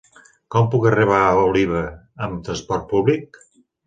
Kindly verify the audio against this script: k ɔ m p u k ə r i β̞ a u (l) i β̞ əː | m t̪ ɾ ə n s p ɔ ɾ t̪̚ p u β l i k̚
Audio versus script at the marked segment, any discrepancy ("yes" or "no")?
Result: no